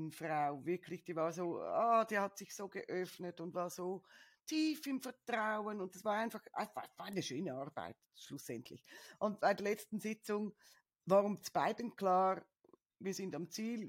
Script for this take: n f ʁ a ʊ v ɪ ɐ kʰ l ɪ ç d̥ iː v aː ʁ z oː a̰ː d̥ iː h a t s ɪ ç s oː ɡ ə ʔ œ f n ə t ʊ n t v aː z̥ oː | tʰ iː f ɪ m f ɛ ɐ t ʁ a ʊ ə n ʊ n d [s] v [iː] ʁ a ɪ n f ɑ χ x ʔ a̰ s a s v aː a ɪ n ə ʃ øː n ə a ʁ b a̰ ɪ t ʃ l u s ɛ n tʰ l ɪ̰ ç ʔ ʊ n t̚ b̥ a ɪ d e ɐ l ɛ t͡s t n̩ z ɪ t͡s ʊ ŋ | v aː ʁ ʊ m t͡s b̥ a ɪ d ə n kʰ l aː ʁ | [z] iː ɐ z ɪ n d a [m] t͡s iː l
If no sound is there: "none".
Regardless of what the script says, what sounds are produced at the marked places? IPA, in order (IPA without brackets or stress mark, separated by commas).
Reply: s, aː, v, m